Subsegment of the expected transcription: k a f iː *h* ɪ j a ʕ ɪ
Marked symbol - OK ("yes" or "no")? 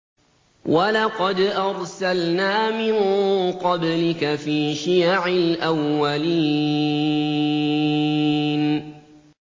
no